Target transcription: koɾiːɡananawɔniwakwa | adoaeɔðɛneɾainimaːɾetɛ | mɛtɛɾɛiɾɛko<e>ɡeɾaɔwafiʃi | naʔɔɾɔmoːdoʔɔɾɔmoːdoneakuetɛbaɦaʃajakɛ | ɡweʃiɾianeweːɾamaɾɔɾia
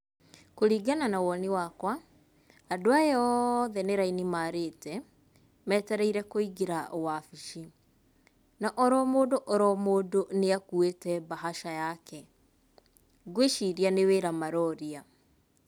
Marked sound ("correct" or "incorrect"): incorrect